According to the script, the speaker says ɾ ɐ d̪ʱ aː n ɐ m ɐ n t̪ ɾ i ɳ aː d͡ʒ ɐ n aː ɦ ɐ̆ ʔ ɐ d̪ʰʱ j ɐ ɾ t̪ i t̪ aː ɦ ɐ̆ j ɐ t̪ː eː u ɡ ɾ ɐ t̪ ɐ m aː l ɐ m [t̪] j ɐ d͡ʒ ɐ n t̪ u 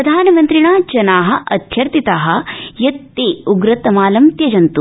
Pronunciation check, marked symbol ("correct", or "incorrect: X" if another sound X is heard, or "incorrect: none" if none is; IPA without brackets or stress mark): correct